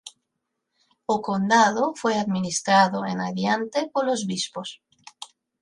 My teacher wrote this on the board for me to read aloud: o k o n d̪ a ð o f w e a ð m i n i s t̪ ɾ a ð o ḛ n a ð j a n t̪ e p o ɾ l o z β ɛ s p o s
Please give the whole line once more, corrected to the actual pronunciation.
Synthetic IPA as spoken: o k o n d̪ a ð o f w e a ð m i n i s t̪ ɾ a ð o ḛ n a ð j a n t̪ e p o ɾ l o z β i s p o s